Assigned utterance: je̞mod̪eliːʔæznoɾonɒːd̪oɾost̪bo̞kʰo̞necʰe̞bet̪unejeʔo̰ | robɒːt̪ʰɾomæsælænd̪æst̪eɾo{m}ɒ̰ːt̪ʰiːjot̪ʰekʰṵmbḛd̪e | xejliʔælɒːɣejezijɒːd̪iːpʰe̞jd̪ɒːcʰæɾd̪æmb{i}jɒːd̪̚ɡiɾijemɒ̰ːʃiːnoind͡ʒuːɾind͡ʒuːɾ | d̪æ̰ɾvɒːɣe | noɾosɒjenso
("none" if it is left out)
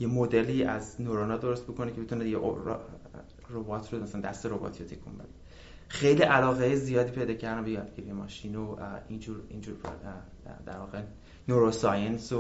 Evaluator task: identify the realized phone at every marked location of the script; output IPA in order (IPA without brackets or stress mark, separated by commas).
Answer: b, e